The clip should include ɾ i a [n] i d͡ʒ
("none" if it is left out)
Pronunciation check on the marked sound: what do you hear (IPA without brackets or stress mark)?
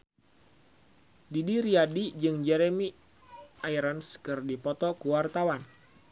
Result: d